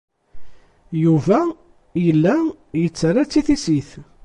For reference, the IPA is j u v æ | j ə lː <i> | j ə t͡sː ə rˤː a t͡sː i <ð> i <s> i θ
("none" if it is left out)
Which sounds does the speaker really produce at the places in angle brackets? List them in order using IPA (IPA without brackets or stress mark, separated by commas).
æ, θ, s